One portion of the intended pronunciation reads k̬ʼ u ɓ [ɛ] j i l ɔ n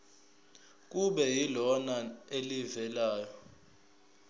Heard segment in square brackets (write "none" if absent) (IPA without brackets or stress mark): ɛ